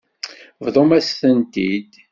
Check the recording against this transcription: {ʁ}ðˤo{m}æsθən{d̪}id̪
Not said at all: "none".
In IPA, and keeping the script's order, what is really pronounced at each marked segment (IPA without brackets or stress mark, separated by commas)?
v, m, t̪